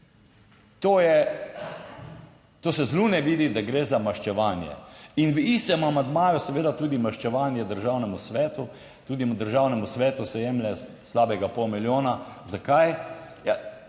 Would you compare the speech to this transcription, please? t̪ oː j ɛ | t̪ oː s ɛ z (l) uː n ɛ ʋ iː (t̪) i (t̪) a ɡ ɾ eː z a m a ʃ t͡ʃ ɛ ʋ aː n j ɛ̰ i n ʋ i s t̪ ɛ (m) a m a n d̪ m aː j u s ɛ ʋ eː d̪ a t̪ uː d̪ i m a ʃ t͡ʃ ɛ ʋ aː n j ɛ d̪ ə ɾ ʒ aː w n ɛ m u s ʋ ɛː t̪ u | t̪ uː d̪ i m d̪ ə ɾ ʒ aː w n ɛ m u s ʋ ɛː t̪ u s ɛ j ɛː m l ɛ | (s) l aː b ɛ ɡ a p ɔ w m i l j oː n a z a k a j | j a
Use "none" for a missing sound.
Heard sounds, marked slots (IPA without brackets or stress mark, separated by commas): l, d̪, d̪, m, s